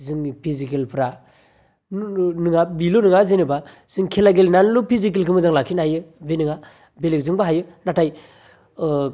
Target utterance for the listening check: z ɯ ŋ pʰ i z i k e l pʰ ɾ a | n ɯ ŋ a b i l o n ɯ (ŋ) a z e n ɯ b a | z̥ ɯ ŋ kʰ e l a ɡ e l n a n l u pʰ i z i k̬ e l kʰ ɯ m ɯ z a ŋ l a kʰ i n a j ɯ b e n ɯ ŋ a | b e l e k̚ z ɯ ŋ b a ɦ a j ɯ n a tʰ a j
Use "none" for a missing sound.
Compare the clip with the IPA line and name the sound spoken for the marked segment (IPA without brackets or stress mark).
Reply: ŋ